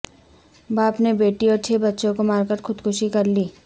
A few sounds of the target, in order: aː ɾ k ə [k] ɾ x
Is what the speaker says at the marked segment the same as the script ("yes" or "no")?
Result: no